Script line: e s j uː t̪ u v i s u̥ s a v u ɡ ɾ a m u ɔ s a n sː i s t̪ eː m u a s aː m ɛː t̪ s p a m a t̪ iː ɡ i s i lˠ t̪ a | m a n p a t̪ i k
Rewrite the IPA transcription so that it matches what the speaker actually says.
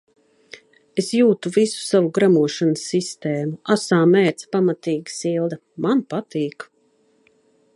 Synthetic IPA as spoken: e s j uː t̪ u v i s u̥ s a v u ɡ ɾ a m u ɔ ʃ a n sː i s t̪ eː m u a s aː m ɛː t̪ s p a m a t̪ iː ɡ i s i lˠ d̪ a | m a n p a t̪ iː k